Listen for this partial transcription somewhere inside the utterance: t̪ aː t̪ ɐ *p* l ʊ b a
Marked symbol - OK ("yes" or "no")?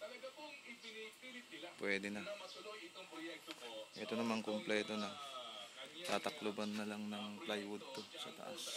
no